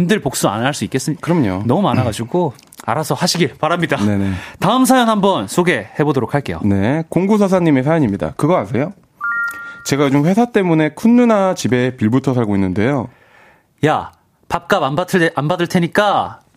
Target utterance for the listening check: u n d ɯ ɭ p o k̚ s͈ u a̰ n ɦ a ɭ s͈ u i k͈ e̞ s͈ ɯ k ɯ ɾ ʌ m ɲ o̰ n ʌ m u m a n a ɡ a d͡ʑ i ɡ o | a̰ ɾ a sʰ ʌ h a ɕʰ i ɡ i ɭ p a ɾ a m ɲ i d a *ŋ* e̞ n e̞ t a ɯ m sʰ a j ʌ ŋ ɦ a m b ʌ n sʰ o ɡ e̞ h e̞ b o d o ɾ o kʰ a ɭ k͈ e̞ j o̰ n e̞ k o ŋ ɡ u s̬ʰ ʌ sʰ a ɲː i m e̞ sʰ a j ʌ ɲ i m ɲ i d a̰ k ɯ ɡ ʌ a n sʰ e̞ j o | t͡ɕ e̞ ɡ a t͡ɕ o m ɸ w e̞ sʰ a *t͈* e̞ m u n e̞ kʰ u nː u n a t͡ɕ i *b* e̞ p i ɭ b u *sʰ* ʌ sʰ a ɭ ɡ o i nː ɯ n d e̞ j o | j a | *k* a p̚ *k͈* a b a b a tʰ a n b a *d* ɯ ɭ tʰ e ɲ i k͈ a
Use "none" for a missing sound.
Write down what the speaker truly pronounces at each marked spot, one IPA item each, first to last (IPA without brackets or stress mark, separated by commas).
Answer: n, t͈, b, tʰ, p, k͈, d